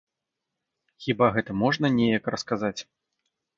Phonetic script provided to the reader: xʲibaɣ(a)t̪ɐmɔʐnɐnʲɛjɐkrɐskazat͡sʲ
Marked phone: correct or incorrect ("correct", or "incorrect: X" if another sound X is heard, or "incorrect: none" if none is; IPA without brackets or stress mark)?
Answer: incorrect: ɛ